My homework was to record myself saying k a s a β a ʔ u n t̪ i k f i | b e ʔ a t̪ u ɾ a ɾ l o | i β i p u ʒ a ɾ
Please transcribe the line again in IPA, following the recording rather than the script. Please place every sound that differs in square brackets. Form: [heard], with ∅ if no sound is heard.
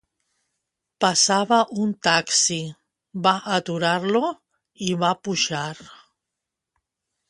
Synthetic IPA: [p] a s a β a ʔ u n t̪ [a] k [s] i | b [a] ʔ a t̪ u ɾ a ɾ l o | i β [a] p u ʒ a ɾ